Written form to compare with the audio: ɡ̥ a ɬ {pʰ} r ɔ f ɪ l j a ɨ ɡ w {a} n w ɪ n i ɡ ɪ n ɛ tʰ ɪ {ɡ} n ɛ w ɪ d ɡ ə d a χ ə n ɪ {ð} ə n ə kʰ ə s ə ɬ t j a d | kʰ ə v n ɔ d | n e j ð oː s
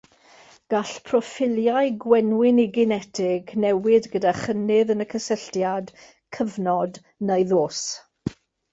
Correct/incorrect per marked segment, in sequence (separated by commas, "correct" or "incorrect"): correct, incorrect, correct, correct